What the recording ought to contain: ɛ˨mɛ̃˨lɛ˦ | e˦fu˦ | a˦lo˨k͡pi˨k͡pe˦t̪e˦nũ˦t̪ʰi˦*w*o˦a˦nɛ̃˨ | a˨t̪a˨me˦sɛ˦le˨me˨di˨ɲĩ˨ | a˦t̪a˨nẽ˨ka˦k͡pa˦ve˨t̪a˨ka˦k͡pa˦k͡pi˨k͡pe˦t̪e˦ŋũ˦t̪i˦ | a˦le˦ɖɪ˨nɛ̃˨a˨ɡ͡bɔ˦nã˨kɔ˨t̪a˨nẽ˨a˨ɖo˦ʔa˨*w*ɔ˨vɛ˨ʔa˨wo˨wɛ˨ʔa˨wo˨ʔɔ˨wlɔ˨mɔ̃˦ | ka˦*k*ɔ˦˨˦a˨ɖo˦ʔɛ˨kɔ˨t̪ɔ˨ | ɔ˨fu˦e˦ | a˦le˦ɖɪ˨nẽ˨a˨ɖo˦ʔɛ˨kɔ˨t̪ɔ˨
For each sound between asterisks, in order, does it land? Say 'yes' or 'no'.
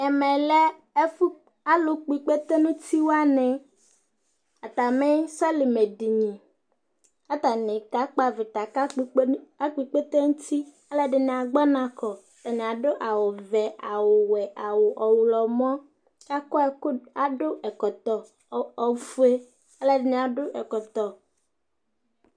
yes, yes, yes

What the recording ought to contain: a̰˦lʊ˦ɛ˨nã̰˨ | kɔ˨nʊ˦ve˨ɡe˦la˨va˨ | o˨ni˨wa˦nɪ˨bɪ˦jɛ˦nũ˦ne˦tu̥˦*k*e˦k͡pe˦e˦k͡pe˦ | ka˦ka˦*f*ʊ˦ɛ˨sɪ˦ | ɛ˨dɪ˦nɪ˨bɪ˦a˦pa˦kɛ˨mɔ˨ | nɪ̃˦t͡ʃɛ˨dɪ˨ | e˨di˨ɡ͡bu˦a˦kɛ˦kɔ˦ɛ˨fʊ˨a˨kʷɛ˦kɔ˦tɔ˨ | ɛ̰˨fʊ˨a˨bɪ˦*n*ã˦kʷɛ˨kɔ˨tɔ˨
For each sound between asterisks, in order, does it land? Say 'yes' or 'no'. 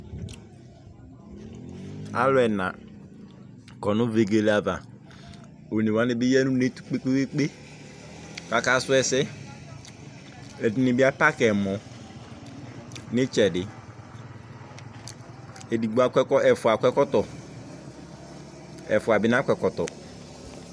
no, no, yes

